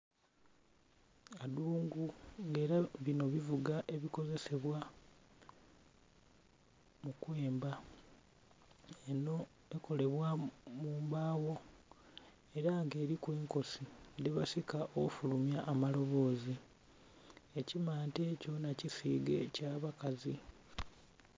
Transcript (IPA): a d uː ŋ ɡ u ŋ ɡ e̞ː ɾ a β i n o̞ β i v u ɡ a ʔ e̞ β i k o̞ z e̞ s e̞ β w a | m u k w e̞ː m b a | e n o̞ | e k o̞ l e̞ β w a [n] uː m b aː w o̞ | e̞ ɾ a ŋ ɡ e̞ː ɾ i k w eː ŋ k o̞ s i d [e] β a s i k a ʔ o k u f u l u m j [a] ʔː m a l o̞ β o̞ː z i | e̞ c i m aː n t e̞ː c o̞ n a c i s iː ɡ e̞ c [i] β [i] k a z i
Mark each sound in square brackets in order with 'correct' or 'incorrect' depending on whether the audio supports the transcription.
incorrect, correct, correct, incorrect, incorrect

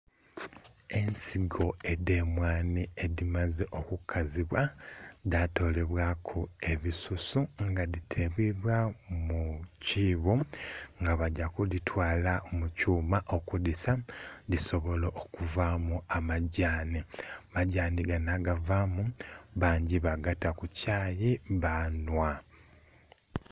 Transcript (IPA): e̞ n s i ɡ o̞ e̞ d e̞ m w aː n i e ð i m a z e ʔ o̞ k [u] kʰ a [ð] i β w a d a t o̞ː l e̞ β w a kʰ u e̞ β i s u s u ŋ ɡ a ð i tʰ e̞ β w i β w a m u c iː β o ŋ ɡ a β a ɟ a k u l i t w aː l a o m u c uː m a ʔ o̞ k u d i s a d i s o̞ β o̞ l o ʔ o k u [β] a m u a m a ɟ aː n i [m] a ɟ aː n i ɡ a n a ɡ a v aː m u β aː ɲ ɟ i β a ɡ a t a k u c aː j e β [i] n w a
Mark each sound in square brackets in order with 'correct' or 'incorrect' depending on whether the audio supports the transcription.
correct, incorrect, incorrect, correct, incorrect

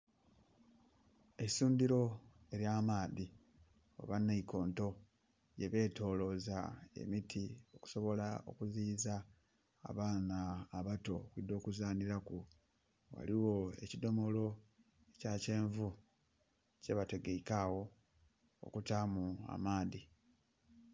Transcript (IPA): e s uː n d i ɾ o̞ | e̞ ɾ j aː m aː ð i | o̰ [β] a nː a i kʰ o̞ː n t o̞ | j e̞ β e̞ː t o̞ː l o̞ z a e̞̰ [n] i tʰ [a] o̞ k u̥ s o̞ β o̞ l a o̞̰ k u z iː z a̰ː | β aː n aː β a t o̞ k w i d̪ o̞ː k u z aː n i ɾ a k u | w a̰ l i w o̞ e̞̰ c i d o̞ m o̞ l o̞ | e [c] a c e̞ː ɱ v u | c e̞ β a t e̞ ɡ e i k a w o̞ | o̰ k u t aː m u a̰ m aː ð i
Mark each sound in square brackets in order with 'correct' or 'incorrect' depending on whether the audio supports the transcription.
correct, incorrect, incorrect, correct

